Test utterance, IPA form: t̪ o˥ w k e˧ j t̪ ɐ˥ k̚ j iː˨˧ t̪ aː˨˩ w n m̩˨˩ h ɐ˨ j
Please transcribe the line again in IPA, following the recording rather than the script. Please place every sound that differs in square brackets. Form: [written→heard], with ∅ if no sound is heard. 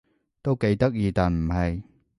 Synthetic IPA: t̪ o˥ w k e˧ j t̪ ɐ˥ k̚ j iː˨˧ t̪ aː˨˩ [w→∅] n m̩˨˩ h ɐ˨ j

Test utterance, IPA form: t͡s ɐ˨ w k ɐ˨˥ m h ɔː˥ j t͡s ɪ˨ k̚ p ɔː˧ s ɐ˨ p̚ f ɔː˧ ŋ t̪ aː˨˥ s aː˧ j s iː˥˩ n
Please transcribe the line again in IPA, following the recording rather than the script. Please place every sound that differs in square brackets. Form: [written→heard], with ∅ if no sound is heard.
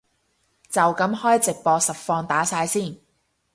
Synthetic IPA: t͡s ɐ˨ w k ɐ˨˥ m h ɔː˥ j t͡s ɪ˨ k̚ p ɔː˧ s ɐ˨ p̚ f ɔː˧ ŋ t̪ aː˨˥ s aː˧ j s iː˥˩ n

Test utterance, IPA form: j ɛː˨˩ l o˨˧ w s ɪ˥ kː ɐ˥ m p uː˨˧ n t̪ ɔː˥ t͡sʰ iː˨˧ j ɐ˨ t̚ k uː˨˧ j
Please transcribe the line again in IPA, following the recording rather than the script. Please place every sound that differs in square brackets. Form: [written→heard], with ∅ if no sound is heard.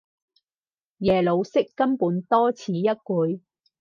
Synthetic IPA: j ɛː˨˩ l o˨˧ w s ɪ˥ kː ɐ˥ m p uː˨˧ n t̪ ɔː˥ t͡sʰ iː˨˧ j [ɐ˨→ɐ˥] t̚ k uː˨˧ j

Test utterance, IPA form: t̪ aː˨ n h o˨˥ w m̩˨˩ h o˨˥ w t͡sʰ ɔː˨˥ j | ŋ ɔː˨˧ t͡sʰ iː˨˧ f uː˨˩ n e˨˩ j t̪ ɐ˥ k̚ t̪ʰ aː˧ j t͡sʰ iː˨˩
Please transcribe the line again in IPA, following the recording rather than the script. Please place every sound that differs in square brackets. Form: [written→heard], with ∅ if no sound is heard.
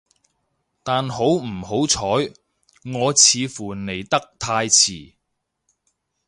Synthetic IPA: t̪ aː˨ n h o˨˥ w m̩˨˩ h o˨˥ w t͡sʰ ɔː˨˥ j | ŋ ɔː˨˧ t͡sʰ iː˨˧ f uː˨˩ n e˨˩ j t̪ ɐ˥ k̚ t̪ʰ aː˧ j t͡sʰ iː˨˩

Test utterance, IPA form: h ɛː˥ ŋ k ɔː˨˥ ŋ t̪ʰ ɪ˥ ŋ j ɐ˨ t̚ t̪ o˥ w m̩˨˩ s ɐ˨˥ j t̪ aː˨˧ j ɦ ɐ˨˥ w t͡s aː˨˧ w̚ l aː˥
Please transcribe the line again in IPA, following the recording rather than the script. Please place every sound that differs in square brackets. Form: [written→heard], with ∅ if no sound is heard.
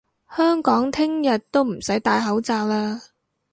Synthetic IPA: h [ɛː˥→œː˥] ŋ k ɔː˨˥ ŋ t̪ʰ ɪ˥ ŋ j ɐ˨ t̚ t̪ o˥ w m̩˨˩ s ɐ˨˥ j t̪ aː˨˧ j ɦ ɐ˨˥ w t͡s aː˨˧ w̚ l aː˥

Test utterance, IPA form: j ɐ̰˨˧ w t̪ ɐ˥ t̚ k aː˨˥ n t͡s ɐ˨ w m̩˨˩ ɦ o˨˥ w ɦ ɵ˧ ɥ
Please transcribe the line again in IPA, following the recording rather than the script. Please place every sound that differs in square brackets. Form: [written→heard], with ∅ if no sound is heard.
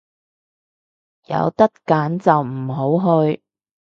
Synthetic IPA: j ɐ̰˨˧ w t̪ ɐ˥ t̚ k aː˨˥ n t͡s ɐ˨ w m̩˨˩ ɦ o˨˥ w ɦ ɵ˧ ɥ

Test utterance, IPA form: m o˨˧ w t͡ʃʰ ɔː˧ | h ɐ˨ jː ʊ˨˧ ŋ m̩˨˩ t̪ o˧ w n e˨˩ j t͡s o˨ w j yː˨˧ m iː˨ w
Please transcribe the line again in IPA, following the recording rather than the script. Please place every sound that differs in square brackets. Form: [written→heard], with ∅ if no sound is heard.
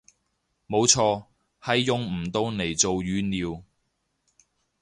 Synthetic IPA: m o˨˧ w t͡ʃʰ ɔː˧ | h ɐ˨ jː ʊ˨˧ ŋ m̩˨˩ t̪ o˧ w n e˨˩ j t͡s o˨ w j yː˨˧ [m→n] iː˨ w

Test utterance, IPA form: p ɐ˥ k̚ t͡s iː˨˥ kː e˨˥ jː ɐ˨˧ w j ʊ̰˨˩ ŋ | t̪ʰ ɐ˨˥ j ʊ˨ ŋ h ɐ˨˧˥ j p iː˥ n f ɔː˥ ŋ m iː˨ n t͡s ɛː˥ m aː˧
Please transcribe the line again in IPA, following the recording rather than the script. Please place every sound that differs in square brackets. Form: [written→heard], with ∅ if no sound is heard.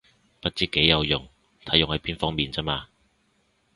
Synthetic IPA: p ɐ˥ [k̚→t̚] t͡s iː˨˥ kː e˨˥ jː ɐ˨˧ w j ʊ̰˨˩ ŋ | t̪ʰ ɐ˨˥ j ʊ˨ ŋ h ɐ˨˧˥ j p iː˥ n f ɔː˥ ŋ m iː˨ n t͡s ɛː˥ m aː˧

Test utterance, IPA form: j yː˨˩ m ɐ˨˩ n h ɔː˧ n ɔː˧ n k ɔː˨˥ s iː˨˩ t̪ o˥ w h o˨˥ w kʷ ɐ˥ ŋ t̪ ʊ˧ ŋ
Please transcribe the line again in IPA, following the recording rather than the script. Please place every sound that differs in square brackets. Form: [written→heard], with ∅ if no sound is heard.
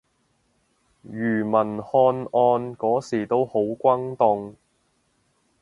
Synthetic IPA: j yː˨˩ m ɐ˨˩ n h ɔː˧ n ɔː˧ n k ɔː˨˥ s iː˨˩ t̪ o˥ w h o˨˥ w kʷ ɐ˥ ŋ t̪ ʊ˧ ŋ

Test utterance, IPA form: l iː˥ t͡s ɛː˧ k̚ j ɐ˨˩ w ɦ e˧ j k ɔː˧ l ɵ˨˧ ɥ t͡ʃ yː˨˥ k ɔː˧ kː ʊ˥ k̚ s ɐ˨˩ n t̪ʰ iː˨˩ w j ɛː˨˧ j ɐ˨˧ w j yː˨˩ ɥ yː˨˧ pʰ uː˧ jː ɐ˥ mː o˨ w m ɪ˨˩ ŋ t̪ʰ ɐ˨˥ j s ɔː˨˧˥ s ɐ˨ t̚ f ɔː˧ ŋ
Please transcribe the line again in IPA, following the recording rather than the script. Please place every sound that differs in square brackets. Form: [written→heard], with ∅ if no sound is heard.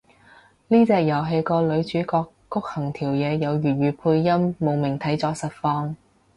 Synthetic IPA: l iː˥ t͡s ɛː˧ k̚ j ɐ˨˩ w ɦ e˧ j k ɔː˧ l ɵ˨˧ ɥ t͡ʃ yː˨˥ k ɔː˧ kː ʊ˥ k̚ [s→h] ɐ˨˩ [n→ŋ] t̪ʰ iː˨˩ w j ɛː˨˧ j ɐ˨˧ w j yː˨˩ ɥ yː˨˧ pʰ uː˧ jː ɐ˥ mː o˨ w m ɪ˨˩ ŋ t̪ʰ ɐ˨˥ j [s→t͡s] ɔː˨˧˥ s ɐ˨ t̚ f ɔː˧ ŋ

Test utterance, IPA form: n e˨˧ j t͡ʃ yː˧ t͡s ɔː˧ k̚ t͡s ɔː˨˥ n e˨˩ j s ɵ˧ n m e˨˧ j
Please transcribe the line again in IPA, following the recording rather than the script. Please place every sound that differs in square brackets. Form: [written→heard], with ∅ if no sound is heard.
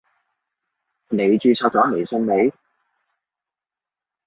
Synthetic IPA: n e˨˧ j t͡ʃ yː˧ [t͡s→t͡sʰ] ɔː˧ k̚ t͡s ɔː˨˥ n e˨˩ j s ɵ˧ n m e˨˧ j

